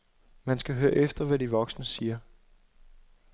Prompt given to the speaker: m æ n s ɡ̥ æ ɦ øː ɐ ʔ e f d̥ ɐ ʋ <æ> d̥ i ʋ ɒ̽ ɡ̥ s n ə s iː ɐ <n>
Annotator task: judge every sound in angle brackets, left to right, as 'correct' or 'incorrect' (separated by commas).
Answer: correct, incorrect